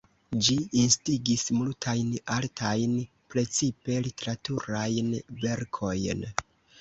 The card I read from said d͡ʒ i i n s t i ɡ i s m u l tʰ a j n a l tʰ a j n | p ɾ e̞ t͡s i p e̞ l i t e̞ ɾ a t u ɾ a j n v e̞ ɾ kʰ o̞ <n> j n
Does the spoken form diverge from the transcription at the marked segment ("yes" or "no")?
yes